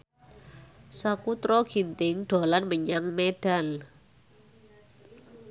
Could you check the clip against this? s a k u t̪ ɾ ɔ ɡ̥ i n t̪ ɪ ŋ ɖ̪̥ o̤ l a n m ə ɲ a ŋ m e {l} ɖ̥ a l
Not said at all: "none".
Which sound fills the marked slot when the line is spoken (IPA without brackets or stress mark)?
none